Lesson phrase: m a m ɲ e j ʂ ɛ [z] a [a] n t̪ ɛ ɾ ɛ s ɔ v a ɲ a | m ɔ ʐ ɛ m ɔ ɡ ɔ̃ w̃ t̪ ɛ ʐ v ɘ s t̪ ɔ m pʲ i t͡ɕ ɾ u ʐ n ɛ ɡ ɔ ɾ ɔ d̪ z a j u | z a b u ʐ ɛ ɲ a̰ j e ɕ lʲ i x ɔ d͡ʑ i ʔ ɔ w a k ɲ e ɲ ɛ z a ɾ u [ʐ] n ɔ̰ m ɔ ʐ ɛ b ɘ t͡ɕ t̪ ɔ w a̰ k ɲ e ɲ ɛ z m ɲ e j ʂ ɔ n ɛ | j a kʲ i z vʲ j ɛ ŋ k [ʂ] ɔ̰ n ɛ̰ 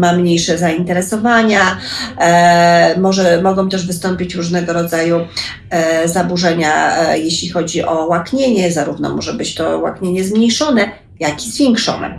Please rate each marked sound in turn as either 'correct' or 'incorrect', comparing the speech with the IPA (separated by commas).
correct, incorrect, incorrect, correct